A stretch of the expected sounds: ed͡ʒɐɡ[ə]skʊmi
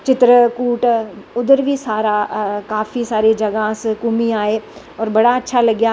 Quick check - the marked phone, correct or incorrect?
incorrect